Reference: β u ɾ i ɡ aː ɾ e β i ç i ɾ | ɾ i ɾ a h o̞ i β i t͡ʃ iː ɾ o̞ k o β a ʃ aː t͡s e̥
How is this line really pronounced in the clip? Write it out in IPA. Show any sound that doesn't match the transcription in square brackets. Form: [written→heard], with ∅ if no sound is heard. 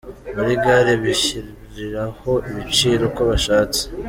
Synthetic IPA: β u ɾ i ɡ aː ɾ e β i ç i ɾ | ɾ i ɾ a h o̞ i β i t͡ʃ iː ɾ o̞ k o β a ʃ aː t͡s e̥

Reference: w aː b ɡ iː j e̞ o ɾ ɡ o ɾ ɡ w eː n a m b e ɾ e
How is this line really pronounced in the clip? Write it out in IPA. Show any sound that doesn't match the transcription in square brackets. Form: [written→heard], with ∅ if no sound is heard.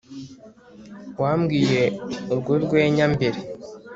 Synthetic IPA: w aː [b→m] ɡ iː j e̞ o ɾ ɡ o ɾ ɡ w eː [n→ɲ] a m b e ɾ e

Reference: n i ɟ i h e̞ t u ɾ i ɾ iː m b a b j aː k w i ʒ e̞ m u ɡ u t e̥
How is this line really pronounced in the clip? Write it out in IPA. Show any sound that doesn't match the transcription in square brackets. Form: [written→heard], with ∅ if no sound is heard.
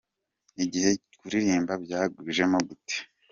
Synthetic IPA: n i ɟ i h e̞ [t→k] u ɾ i ɾ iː m b a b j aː [k→ɡ] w i ʒ e̞ m [u→o] ɡ u t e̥

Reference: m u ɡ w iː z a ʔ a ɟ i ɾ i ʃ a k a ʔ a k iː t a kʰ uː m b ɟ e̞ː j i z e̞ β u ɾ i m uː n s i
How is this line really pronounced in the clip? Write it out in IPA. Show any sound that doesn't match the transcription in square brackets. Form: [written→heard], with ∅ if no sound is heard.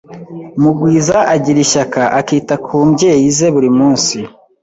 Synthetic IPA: m u ɡ w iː z a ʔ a ɟ i ɾ i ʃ a k a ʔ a k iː t a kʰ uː m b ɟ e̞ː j i z e̞ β u ɾ i m uː n s i

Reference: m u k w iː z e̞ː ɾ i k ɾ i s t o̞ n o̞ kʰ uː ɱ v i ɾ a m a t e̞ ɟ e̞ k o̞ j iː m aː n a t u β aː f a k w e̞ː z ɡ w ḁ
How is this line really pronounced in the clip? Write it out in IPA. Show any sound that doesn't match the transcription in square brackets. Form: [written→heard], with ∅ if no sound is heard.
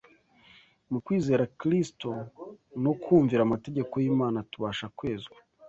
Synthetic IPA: m u k w iː z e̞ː ɾ [i→a] k ɾ i s t o̞ n o̞ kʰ uː ɱ v i ɾ a m a t e̞ ɟ e̞ k o̞ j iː m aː n a t u β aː [f→ʃ] a k w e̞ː z ɡ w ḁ

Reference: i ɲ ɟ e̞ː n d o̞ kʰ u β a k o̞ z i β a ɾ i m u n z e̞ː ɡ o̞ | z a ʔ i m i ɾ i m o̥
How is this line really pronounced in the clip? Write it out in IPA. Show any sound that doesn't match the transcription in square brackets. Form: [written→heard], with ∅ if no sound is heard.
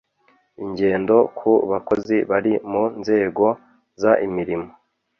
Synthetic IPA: i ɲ ɟ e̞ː n d o̞ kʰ u β a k o̞ z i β a ɾ i m u n z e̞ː ɡ o̞ | z a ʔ i m i ɾ i m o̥

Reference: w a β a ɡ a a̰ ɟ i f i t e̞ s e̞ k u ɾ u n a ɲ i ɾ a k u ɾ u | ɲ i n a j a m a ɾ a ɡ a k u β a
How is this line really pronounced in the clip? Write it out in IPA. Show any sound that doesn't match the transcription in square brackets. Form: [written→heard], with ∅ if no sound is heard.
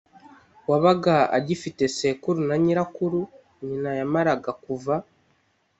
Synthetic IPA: w a β a ɡ a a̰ ɟ i f i t e̞ s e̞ k u ɾ u n a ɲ i ɾ a k u ɾ u | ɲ i n a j a m a ɾ a ɡ a k u [β→v] a

